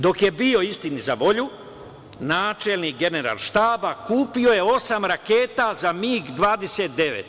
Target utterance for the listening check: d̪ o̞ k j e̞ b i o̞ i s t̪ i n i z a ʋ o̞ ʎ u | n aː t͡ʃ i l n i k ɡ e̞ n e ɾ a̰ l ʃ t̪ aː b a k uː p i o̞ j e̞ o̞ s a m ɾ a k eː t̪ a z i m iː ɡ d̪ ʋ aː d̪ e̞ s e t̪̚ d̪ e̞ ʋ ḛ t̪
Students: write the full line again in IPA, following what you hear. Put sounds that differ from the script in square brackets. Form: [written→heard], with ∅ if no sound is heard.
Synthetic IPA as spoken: d̪ o̞ k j e̞ b i o̞ i s t̪ i n i z a ʋ o̞ ʎ u | n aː t͡ʃ [i→e] l n i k ɡ e̞ n e ɾ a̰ l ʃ t̪ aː b a k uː p i o̞ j e̞ o̞ s a m ɾ a k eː t̪ a z [i→a] m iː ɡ d̪ ʋ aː d̪ e̞ s e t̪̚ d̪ e̞ ʋ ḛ t̪

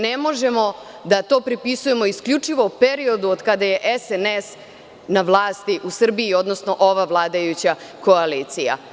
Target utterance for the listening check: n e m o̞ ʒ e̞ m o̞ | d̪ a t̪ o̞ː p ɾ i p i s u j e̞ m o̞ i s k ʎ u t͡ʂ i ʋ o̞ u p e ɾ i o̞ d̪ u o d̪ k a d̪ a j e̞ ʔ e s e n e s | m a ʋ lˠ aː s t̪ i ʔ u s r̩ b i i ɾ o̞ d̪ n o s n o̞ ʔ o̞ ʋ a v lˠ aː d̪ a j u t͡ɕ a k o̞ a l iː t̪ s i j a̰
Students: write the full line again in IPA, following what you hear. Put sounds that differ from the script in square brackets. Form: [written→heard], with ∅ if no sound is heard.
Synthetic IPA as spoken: n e m o̞ ʒ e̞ m o̞ | d̪ a t̪ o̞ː p ɾ i p i s u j e̞ m o̞ i s k ʎ u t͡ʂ i ʋ o̞ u p e ɾ i o̞ d̪ u o d̪ k a d̪ a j e̞ ʔ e s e n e s | [m→n] a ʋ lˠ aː s t̪ i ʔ u s r̩ b i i [ɾ→∅] o̞ d̪ n o s n o̞ ʔ o̞ ʋ a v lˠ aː d̪ a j u t͡ɕ a k o̞ a l iː t̪ s i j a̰

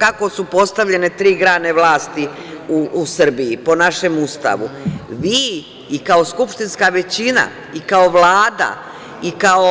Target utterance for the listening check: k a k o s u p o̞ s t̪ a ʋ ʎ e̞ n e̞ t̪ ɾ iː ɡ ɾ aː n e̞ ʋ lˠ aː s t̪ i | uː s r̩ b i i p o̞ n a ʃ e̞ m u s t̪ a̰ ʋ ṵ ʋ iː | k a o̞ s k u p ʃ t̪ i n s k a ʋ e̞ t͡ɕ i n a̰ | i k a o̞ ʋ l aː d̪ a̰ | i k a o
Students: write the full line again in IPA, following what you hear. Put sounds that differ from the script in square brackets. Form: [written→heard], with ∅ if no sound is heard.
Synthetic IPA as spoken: k a k o s u p o̞ s t̪ a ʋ ʎ e̞ n e̞ t̪ ɾ iː ɡ ɾ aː n e̞ ʋ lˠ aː s t̪ i | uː s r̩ b i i p o̞ n a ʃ e̞ m u s t̪ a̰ ʋ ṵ ʋ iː | k a o̞ s k u p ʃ t̪ i n s k a ʋ e̞ t͡ɕ i n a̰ | i k a o̞ ʋ l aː d̪ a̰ | i k a o

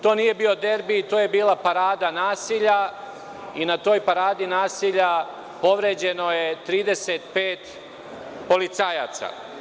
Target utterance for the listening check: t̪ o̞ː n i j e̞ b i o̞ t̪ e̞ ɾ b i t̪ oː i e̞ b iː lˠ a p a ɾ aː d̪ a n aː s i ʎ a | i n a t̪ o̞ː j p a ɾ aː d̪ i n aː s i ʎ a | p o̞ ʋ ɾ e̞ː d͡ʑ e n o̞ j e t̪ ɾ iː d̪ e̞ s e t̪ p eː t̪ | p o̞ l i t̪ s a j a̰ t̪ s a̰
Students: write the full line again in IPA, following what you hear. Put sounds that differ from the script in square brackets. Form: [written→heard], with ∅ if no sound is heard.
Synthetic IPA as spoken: t̪ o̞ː n i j e̞ b i o̞ [t̪→d̪] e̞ ɾ b i t̪ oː [i→j] e̞ b iː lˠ a p a ɾ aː d̪ a n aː s i ʎ a | i n a t̪ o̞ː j p a ɾ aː d̪ i n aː s i ʎ a | p o̞ ʋ ɾ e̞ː d͡ʑ e n o̞ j e t̪ ɾ iː d̪ e̞ s e t̪ p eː t̪ | p o̞ l i t̪ s a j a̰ t̪ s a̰

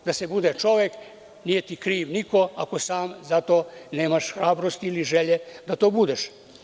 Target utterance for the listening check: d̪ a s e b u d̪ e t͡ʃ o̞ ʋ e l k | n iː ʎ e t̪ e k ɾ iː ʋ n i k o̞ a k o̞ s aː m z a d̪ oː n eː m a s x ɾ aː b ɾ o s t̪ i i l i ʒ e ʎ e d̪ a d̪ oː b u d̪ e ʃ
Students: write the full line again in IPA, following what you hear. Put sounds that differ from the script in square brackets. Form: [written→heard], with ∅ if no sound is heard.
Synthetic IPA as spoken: d̪ a s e b u d̪ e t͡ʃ o̞ ʋ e [l→∅] k | n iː [ʎ→j] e t̪ [e→i] k ɾ iː ʋ n i k o̞ a k o̞ s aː m z a [d̪→t̪] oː n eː m a [s→ʃ] x ɾ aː b ɾ o s t̪ i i l i ʒ e ʎ e d̪ a [d̪→t̪] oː b u d̪ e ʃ

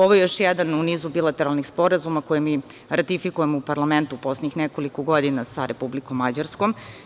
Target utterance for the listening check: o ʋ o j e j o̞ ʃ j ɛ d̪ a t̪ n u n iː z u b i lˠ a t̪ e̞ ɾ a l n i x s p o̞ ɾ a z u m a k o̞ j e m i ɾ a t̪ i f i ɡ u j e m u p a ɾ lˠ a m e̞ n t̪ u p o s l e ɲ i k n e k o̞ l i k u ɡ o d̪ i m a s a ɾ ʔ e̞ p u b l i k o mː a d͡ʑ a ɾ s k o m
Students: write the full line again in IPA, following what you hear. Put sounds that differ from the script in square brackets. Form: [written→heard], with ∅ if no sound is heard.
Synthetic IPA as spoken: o ʋ o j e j o̞ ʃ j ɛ d̪ a [t̪→∅] n u n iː z u b i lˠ a t̪ e̞ ɾ a l n i x s p o̞ ɾ a z u m a k o̞ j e m i ɾ a t̪ i f i [ɡ→k] u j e m u p a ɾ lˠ a m e̞ n t̪ u p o s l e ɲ i [k→x] n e k o̞ l i k [u→o] ɡ o d̪ i [m→n] a s a ɾ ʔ e̞ p u b l i k o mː a d͡ʑ a ɾ s k o m

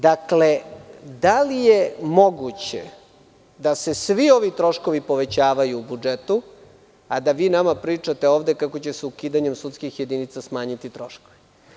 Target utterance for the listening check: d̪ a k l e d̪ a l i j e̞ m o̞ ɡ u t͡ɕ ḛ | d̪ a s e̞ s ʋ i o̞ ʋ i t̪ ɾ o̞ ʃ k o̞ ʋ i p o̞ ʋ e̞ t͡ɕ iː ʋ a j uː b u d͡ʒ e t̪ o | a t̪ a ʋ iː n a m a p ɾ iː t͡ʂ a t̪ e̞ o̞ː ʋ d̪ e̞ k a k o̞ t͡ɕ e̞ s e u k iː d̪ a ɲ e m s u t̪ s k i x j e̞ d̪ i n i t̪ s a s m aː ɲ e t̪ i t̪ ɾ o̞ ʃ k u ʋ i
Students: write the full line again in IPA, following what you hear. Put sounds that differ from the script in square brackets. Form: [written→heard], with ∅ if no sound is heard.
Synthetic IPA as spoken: d̪ a k l e d̪ a l i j e̞ m o̞ ɡ u t͡ɕ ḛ | d̪ a s e̞ s ʋ i o̞ ʋ i t̪ ɾ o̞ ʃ k o̞ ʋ i p o̞ ʋ e̞ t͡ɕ [iː→aː] ʋ a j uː b u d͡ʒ e t̪ [o→u] | a [t̪→d̪] a ʋ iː n a m a p ɾ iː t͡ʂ a t̪ e̞ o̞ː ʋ d̪ e̞ k a k o̞ t͡ɕ e̞ s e u k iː d̪ a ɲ e m s u t̪ s k i x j e̞ d̪ i n i t̪ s a s m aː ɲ [e→i] t̪ i t̪ ɾ o̞ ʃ k [u→o] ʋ i

